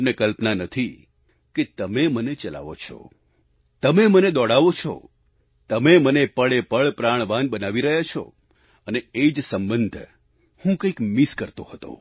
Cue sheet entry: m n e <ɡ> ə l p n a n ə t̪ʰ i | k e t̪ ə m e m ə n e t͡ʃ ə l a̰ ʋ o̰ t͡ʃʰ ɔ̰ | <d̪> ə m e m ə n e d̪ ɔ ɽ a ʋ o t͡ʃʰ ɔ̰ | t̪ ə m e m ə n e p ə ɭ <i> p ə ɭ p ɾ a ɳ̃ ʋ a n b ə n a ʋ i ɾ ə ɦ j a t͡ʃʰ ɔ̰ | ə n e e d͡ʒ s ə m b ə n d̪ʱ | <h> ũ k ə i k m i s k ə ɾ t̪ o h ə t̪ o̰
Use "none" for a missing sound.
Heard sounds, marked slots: k, t̪, e, h

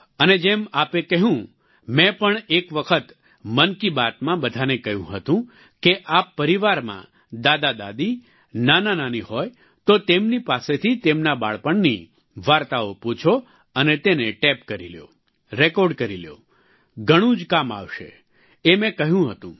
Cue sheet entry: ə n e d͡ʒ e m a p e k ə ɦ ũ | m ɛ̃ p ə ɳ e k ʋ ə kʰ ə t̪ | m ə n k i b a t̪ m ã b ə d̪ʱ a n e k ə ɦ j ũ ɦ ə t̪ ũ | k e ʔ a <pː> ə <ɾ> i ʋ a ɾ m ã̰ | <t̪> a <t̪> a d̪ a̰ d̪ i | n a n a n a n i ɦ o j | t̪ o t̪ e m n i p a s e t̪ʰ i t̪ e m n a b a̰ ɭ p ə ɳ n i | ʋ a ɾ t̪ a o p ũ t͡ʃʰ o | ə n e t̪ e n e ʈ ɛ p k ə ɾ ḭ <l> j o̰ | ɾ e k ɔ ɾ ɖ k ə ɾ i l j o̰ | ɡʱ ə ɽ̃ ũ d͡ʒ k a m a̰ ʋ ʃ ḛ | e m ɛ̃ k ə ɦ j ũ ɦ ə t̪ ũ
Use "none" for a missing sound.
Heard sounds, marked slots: pː, ɾ, d̪, d̪, l

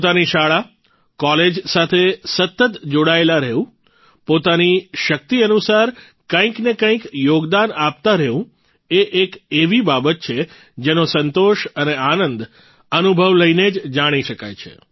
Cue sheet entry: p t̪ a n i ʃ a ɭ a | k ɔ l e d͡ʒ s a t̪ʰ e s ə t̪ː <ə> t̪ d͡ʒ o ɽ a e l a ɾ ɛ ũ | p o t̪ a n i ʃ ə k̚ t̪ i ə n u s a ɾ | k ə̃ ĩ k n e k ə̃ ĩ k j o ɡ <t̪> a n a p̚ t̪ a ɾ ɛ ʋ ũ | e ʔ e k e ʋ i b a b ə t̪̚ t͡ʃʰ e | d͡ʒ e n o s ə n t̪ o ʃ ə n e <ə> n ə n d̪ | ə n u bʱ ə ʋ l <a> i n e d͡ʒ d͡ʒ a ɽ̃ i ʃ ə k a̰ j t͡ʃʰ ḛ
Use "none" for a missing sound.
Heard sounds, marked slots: ə, d̪, a, ə

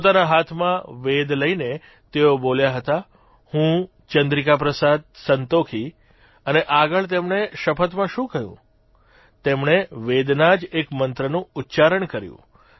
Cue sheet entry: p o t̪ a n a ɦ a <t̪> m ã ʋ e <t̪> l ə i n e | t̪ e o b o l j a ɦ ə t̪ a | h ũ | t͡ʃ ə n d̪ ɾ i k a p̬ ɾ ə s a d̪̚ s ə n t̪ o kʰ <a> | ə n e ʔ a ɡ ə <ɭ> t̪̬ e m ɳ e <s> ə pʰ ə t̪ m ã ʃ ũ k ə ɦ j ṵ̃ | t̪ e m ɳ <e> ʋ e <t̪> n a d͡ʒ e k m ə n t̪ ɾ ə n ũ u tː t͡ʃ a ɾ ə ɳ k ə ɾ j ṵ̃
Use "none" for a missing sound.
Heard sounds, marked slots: t̪ʰ, d̪, i, ɭ, ʃ, e, d̪

